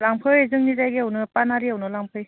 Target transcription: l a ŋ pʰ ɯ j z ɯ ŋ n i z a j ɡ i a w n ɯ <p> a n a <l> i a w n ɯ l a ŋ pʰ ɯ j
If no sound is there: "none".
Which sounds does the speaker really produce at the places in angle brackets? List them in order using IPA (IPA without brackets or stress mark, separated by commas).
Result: p, ɾ